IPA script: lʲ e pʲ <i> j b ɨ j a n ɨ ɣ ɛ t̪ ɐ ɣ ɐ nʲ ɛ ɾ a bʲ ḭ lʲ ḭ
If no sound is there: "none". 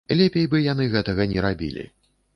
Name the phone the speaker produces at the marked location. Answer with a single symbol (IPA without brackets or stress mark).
e